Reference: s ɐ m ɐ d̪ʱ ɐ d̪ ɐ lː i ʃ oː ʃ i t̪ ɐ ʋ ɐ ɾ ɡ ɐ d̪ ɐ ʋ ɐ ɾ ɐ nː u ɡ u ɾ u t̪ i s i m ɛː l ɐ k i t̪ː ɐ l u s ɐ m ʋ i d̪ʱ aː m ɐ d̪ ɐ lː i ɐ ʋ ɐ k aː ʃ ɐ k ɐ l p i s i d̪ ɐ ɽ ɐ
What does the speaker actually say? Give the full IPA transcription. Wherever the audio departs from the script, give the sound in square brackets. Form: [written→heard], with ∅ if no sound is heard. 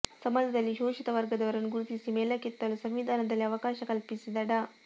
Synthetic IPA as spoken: s ɐ m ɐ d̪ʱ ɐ d̪ ɐ lː i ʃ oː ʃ i t̪ ɐ ʋ ɐ ɾ ɡ ɐ d̪ ɐ ʋ ɐ ɾ ɐ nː u ɡ u ɾ u t̪ i s i m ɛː l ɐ k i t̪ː ɐ l u s ɐ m ʋ i d̪ʱ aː [m→n] ɐ d̪ ɐ lː i ɐ ʋ ɐ k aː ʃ ɐ k ɐ l p i s i d̪ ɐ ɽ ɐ